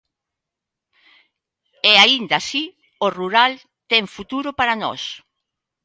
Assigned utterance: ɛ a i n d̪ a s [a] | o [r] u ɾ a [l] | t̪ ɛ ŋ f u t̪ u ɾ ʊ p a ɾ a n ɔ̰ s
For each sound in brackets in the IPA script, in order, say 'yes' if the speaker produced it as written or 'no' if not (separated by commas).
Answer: no, yes, yes